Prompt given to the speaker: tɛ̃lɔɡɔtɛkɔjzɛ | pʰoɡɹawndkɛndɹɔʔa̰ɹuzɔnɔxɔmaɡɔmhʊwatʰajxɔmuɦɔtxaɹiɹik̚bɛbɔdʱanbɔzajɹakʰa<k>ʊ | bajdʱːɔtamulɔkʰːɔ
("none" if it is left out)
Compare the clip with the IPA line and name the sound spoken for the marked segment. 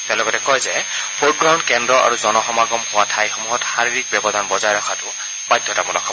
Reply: t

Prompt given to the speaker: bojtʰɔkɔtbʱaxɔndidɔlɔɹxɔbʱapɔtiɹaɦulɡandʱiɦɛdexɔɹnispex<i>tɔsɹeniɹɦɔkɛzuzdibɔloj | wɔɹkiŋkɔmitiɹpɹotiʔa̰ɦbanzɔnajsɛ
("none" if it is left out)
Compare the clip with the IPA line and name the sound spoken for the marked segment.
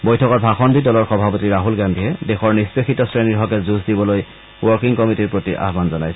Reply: i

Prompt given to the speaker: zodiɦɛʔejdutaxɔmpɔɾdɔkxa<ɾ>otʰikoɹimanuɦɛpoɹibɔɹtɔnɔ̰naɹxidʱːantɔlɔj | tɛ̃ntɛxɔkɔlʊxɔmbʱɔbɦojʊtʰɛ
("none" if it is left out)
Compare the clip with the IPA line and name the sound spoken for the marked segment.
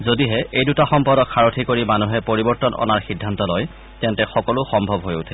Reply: ɹ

